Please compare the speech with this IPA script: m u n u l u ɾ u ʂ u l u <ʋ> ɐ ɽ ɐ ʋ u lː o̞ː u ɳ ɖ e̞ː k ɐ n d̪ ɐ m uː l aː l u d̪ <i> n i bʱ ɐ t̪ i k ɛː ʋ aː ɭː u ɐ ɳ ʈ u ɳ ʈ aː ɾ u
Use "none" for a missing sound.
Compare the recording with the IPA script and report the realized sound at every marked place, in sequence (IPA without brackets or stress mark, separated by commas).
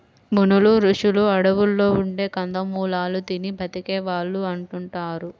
none, i